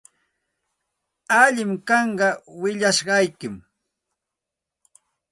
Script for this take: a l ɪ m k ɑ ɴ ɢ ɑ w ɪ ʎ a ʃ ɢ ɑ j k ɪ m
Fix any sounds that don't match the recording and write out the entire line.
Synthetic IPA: a ʎ ɪ m k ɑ ɴ ɢ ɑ w ɪ ʎ a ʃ ɢ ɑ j k ɪ m

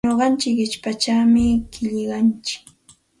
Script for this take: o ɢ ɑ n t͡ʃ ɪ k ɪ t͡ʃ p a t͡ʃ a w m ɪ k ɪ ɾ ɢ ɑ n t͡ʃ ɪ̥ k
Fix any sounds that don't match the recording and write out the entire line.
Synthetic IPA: o ɢ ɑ n t͡ʃ ɪ k ɪ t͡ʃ p a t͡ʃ a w m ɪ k ɪ ʎ ɢ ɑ n t͡ʃ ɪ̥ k

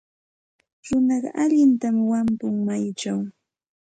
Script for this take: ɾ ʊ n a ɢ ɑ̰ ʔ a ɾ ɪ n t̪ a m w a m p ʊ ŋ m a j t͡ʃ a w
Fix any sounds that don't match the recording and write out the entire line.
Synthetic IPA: ɾ ʊ n ɑ ɢ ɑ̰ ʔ a ʎ ɪ n t̪ a m w a m p ʊ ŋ m a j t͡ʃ a w

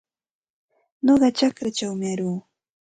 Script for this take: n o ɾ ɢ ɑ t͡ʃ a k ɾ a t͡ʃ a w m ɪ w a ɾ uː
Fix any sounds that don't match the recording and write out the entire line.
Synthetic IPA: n o ɢ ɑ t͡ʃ a k ɾ a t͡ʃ a w m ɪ a ɾ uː

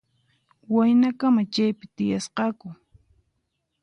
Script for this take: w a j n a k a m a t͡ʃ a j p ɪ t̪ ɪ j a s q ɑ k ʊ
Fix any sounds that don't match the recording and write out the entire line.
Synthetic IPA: w a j n a k a m a t͡ʃ a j p ɪ t̪ ɪ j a s q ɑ k ʊ

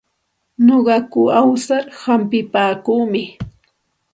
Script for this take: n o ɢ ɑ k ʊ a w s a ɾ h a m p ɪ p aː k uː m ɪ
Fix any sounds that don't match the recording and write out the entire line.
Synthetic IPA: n o ɢ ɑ k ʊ a w s a ɾ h a m p ɪ p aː k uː m ɪ

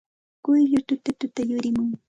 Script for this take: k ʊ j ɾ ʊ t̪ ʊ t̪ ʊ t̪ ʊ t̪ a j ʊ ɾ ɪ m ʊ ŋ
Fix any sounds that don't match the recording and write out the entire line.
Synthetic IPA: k ʊ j ʎ ʊ t̪ ʊ t̪ ʊ t̪ ʊ t̪ a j ʊ ɾ ɪ m ʊ ŋ

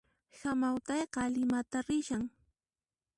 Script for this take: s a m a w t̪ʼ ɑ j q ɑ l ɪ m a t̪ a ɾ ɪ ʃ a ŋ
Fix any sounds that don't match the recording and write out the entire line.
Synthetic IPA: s a m a w t̪ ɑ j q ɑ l ɪ m a t̪ a ɾ ɪ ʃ a ŋ

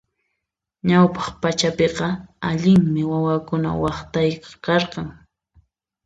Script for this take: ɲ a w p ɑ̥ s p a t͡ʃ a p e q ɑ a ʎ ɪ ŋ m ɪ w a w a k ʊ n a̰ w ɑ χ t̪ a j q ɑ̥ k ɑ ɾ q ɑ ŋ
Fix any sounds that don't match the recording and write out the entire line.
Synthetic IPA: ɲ a w p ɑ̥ χ p a t͡ʃ a p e q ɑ a ʎ ɪ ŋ m ɪ w a w a k ʊ n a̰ w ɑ χ t̪ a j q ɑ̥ k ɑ ɾ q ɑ ŋ

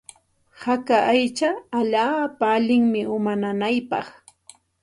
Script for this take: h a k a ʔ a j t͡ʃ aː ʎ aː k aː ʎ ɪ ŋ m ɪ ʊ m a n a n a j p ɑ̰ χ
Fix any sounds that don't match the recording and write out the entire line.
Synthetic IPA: h a k a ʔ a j t͡ʃ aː ʎ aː p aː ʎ ɪ ŋ m ɪ ʊ m a n a n a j p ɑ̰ χ

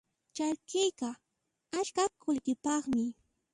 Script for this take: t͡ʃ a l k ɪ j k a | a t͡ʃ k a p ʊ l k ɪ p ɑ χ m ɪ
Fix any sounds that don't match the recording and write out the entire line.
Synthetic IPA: t͡ʃ a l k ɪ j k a | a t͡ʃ k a k ʊ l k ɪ p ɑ χ m ɪ

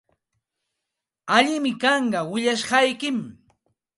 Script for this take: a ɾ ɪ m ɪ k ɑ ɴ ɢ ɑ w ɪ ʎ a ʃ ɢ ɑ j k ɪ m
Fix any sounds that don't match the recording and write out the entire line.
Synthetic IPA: a ʎ ɪ m ɪ k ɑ ɴ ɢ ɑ w ɪ ʎ a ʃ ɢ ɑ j k ɪ m

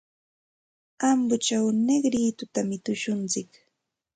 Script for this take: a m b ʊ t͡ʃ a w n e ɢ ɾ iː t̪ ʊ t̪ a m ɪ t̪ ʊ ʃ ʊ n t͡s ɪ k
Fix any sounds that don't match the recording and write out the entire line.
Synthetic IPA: a m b ʊ t͡ʃ a w n e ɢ ɾ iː t̪ ʊ t̪ a m ɪ t̪ ʊ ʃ ʊ n t͡s ɪ k

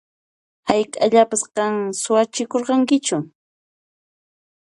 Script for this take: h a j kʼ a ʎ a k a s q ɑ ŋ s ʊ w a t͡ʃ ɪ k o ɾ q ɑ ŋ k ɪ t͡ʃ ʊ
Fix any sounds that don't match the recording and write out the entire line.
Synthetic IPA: h a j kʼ a ʎ a p a s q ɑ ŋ s ʊ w a t͡ʃ ɪ k o ɾ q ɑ ŋ k ɪ t͡ʃ ʊ

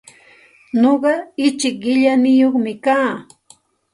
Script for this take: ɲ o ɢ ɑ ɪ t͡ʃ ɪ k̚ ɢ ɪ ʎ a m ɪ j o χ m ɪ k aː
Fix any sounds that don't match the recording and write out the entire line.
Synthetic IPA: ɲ o ɢ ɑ ɪ t͡ʃ ɪ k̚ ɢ ɪ ʎ a n ɪ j o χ m ɪ k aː

